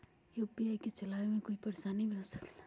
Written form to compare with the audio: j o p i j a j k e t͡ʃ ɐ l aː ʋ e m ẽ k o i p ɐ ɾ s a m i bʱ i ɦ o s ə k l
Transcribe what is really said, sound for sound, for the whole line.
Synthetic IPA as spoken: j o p i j a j k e t͡ʃ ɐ l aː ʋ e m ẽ k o i p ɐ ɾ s a n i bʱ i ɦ o s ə k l